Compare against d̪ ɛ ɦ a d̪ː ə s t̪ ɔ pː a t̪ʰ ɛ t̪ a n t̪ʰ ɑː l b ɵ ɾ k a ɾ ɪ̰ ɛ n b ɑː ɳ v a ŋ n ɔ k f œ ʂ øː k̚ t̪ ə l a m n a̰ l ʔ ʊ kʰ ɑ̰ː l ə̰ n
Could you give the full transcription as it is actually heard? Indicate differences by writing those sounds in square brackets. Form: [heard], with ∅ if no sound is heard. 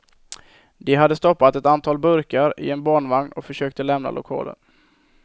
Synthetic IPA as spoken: d̪ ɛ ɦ a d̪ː ə s t̪ ɔ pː a [t̪] ɛ t̪ a n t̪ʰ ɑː l b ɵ ɾ k a ɾ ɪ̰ ɛ n b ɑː ɳ v a ŋ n ɔ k f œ ʂ øː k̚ t̪ ə l [ɛ] m n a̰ l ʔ ʊ kʰ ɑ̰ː l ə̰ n

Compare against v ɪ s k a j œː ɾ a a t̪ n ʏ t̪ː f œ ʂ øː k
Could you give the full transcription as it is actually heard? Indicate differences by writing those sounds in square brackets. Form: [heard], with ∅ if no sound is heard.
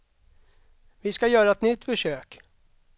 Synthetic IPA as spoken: v ɪ s k a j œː ɾ a [ɛ] t̪ n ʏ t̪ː f œ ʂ øː k

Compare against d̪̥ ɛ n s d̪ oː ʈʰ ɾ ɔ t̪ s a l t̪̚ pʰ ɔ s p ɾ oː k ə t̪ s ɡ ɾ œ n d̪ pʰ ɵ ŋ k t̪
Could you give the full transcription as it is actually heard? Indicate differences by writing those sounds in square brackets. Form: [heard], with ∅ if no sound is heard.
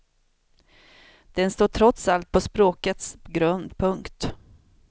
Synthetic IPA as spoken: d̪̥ ɛ n s [t̪] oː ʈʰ ɾ ɔ t̪ s a l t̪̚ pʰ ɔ s p ɾ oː k ə t̪ s ɡ ɾ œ n d̪ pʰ ɵ ŋ k t̪

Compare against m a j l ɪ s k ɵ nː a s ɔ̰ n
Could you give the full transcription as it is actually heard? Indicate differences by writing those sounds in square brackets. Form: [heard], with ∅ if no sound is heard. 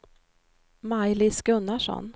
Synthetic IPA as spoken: m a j l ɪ s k ɵ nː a [ʂ] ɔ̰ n

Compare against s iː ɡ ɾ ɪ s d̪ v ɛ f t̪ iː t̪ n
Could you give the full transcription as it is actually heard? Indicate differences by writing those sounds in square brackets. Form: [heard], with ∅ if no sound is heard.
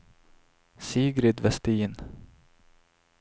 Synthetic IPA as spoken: s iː ɡ ɾ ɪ [∅] d̪ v ɛ [s] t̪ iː [∅] n

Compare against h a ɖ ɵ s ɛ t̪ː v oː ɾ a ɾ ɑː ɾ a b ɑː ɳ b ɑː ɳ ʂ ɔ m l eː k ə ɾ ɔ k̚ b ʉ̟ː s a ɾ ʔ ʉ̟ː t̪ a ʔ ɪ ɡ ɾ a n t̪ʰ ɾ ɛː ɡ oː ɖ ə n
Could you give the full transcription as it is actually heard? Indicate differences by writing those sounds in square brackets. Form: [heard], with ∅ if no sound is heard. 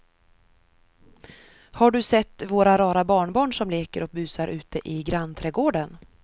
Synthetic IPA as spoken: h a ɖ ɵ s ɛ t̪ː v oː ɾ a ɾ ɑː ɾ a b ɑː ɳ b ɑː ɳ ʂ ɔ m l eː k ə ɾ ɔ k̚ b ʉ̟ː s a ɾ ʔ ʉ̟ː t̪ [ə] ʔ ɪ ɡ ɾ a n t̪ʰ ɾ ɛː ɡ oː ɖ ə n

